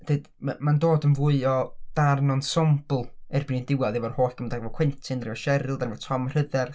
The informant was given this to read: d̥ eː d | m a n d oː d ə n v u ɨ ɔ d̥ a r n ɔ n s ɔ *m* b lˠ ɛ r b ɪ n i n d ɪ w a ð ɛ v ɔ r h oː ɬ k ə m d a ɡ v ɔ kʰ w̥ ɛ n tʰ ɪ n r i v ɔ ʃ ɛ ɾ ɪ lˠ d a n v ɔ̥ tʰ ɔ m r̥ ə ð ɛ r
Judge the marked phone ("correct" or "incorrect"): correct